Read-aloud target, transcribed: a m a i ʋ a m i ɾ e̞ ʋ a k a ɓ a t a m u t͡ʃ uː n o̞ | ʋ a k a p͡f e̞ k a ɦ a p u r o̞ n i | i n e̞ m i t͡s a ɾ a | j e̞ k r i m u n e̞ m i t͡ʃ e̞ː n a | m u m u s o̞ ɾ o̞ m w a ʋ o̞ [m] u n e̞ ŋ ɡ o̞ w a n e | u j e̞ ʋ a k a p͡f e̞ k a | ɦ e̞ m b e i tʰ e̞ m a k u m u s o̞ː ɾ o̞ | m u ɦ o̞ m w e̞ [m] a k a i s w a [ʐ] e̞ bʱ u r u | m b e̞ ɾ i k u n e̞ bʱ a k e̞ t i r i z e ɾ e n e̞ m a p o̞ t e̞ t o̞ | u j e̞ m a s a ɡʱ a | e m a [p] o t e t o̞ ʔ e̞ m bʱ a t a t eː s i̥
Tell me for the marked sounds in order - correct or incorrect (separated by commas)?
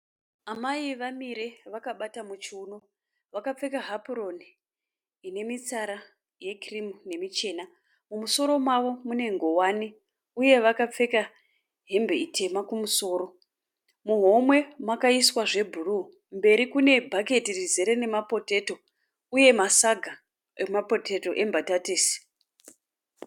correct, correct, correct, correct